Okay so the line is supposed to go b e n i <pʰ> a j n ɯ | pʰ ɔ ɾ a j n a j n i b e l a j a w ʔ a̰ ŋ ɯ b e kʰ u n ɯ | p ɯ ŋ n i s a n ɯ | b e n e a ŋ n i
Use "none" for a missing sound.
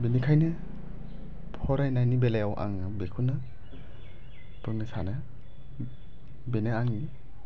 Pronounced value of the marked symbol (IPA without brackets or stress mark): kʰ